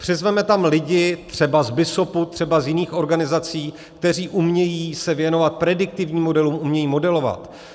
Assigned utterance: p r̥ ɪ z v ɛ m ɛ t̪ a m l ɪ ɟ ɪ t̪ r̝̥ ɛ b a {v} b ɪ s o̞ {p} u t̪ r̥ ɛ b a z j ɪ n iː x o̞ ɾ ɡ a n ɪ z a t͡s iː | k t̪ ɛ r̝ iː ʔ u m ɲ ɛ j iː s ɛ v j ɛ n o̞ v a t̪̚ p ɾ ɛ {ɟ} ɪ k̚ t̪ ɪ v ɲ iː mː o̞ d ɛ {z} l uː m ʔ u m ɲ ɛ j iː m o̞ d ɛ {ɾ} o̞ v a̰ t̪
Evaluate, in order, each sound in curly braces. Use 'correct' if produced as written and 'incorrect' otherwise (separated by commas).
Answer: incorrect, correct, incorrect, incorrect, incorrect